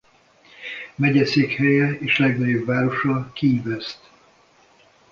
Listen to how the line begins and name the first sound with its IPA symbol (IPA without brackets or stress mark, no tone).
m